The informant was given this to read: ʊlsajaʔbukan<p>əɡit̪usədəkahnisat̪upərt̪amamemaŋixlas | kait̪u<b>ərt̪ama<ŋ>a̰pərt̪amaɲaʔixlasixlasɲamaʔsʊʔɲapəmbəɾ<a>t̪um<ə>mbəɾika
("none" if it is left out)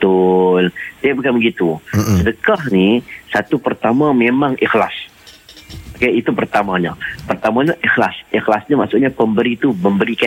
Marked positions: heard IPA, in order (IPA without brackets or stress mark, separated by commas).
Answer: b, p, ɲ, i, ə